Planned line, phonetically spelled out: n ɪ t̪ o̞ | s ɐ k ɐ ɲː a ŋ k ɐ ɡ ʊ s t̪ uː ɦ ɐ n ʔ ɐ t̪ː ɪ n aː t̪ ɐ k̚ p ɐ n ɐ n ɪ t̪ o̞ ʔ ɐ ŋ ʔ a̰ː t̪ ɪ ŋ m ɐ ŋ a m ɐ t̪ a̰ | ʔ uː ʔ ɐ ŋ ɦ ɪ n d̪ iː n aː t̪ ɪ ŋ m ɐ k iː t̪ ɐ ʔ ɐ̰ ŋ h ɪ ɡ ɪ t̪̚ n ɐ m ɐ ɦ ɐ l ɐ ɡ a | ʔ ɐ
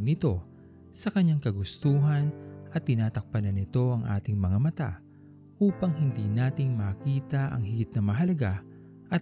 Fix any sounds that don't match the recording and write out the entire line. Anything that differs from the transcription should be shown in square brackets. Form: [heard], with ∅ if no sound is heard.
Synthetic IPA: n ɪ t̪ o̞ | s ɐ k ɐ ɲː a ŋ k ɐ ɡ ʊ s t̪ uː ɦ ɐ n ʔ ɐ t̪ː ɪ n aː t̪ ɐ k̚ p ɐ n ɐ n ɪ t̪ o̞ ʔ ɐ ŋ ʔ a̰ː t̪ ɪ ŋ m ɐ ŋ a m ɐ t̪ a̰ | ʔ uː [p] ɐ ŋ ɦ ɪ n d̪ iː n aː t̪ ɪ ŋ m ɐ k iː t̪ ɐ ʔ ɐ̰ ŋ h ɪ ɡ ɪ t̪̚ n ɐ m ɐ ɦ ɐ l ɐ ɡ a | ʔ ɐ